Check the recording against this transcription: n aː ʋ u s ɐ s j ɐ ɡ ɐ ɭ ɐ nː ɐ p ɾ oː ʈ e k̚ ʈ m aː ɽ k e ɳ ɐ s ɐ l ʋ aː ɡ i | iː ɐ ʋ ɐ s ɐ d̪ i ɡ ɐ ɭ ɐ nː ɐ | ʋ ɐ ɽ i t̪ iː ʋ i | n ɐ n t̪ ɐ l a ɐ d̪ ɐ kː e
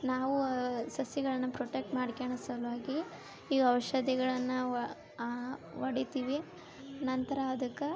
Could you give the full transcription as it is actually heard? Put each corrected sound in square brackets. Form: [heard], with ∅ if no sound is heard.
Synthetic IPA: n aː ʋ u s ɐ s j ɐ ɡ ɐ ɭ ɐ nː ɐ p ɾ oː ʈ e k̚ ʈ m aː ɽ k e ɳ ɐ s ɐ l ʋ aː ɡ i | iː ɐ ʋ ɐ [ʃ] ɐ d̪ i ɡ ɐ ɭ ɐ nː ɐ | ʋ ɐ ɽ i t̪ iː ʋ i | n ɐ n t̪ ɐ [ɾ] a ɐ d̪ ɐ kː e